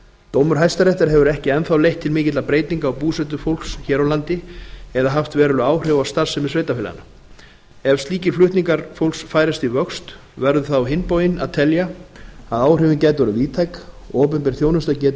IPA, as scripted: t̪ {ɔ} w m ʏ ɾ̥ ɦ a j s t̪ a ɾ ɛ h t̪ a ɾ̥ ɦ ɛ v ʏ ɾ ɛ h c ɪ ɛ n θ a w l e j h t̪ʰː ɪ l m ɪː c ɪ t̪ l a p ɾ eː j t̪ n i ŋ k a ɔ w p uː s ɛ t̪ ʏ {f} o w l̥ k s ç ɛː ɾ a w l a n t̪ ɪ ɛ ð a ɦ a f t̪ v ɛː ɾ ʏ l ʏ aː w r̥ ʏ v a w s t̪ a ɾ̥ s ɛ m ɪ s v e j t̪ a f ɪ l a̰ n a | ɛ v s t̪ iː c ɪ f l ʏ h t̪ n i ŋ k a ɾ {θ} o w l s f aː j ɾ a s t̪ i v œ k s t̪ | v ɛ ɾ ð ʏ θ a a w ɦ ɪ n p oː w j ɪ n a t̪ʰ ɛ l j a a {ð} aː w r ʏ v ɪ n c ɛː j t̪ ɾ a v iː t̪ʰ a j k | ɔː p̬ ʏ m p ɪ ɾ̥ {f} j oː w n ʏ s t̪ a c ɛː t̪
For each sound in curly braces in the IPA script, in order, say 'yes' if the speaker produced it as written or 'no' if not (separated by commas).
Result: no, yes, no, yes, no